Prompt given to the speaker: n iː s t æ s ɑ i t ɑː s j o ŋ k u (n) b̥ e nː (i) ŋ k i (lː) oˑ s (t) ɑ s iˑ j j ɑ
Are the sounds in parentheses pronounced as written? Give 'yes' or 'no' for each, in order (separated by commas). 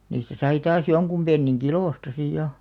no, yes, no, yes